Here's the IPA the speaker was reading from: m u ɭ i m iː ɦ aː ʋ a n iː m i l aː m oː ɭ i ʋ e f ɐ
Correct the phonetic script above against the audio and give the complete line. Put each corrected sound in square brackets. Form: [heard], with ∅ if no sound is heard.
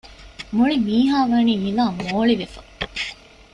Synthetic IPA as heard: m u ɭ i m iː ɦ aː ʋ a n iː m i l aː m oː ɭ i ʋ e f ɐ